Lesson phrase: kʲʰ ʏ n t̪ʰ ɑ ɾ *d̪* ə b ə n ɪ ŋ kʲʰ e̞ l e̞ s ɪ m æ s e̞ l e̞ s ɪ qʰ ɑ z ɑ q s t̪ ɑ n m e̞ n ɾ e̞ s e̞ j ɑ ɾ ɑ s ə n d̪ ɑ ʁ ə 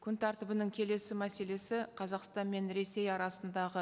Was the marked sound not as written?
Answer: yes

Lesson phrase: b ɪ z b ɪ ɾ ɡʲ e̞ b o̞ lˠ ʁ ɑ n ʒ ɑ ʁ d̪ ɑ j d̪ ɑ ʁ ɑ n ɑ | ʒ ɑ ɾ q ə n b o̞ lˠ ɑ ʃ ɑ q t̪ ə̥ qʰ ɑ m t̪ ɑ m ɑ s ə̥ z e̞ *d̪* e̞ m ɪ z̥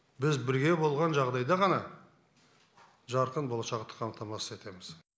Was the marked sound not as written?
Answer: yes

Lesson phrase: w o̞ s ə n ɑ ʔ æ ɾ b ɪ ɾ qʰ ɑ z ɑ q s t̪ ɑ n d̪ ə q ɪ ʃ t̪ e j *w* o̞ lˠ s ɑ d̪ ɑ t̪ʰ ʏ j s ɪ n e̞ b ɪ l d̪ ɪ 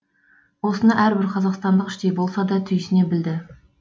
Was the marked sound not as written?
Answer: yes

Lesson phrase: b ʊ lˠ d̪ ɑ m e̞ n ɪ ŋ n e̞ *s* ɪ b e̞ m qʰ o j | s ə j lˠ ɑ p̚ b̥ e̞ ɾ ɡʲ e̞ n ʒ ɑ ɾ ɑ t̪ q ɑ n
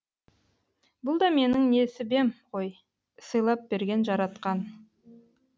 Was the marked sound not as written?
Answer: no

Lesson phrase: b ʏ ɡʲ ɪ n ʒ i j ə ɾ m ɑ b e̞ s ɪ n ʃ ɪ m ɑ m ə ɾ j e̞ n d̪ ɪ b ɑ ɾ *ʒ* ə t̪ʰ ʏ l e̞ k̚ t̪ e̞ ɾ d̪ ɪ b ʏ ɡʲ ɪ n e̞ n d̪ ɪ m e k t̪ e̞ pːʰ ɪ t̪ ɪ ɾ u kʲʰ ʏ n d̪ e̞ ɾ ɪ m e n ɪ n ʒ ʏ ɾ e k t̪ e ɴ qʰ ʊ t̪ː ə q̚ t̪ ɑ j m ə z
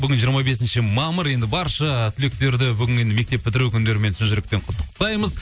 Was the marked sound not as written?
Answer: yes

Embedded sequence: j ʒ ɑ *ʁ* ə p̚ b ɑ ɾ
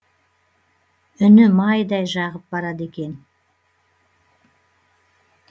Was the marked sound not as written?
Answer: no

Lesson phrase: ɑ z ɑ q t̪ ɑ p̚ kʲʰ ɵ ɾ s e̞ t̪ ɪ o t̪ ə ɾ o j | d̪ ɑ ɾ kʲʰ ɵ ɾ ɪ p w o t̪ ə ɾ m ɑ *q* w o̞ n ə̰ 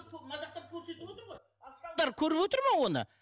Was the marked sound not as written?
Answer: yes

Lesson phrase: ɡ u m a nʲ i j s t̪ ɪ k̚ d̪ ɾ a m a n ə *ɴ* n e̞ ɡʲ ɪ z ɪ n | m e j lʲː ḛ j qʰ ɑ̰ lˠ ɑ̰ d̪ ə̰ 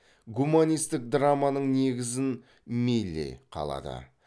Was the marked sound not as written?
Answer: no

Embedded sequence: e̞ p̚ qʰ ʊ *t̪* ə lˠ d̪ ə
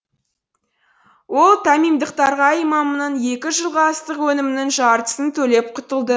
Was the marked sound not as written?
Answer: no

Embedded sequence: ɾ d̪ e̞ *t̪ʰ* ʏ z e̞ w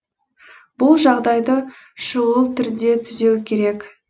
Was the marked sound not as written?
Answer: no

